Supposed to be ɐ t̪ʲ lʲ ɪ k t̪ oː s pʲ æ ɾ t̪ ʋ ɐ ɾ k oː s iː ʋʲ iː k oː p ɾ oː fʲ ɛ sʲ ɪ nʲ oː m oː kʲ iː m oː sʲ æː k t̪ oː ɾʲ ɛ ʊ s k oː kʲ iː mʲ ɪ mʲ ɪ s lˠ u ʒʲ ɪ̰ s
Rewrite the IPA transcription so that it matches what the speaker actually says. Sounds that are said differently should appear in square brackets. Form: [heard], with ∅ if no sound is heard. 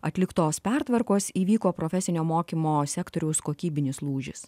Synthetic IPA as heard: ɐ t̪ʲ lʲ ɪ k t̪ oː s pʲ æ ɾ t̪ ʋ ɐ ɾ k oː s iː ʋʲ iː k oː p ɾ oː fʲ ɛ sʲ ɪ nʲ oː m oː kʲ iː m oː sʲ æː k t̪ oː ɾʲ ɛ ʊ s k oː kʲ iː [bʲ] ɪ [nʲ] ɪ s lˠ [uː] ʒʲ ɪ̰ s